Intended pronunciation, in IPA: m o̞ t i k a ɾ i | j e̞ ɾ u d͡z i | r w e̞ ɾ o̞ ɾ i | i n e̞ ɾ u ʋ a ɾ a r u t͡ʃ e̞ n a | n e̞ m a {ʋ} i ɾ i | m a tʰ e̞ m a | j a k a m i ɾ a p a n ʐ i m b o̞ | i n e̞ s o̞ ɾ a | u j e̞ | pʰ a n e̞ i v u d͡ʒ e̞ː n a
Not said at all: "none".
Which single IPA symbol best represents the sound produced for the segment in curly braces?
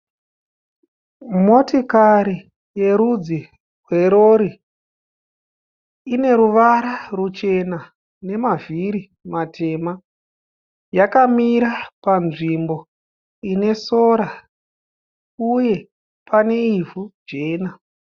v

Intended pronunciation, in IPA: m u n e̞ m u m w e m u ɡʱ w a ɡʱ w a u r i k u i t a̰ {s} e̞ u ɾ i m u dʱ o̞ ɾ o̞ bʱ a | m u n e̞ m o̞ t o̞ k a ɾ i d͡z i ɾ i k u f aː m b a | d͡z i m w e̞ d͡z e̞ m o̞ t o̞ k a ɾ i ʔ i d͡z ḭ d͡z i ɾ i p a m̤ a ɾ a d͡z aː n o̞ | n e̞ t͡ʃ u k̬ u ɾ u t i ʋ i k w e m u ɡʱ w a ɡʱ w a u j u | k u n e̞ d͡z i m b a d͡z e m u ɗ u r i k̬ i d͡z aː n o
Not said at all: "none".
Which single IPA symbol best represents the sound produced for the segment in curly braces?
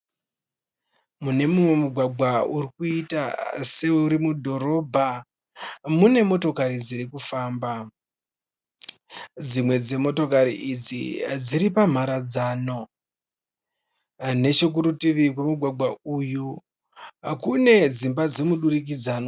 s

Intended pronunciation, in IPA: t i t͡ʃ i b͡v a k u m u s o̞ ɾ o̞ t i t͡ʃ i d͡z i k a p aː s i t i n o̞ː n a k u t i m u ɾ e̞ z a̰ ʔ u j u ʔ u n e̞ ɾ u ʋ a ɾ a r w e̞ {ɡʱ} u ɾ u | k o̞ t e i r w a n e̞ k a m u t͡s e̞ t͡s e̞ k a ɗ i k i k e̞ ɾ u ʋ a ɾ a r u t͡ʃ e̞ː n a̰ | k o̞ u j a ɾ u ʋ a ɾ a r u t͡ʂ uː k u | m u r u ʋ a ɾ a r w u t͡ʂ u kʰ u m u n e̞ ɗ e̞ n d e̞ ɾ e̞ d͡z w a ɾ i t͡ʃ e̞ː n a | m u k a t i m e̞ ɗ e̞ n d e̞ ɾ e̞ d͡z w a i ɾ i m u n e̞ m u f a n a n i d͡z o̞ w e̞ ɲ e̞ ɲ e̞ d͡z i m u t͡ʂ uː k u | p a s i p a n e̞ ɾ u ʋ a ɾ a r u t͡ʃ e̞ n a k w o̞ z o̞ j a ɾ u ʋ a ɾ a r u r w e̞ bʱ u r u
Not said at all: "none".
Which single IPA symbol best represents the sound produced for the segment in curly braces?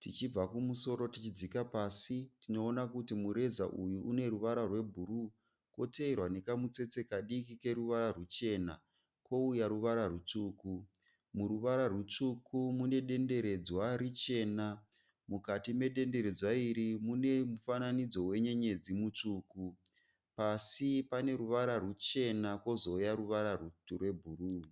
bʱ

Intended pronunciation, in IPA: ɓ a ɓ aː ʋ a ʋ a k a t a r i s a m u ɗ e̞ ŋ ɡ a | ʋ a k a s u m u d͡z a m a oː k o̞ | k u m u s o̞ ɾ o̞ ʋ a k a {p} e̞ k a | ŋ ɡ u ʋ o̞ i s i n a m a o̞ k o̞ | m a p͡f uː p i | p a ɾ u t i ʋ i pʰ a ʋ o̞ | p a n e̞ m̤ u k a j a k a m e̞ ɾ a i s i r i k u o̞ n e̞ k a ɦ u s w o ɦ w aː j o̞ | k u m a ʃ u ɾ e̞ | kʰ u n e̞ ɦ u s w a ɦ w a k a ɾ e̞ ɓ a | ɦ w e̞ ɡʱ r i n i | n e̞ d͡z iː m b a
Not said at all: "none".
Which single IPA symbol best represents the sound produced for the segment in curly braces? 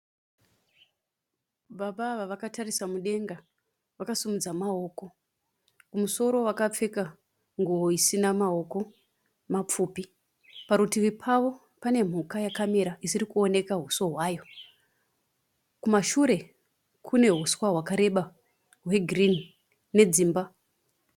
p͡f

